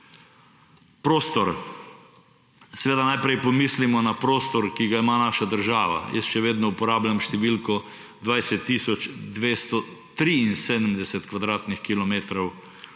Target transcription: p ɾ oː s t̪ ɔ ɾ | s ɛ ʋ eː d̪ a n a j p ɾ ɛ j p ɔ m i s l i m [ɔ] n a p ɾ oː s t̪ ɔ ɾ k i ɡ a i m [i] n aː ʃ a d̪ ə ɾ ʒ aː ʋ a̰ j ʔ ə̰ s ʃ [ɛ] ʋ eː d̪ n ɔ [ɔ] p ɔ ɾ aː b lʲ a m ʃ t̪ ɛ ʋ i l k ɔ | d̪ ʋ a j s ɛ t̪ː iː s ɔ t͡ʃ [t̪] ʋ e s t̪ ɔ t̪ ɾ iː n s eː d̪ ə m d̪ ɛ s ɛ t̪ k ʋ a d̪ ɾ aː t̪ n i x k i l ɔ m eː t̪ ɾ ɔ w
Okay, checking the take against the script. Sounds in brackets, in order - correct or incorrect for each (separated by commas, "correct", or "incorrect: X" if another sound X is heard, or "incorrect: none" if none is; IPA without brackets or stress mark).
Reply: correct, incorrect: a, correct, incorrect: u, incorrect: d̪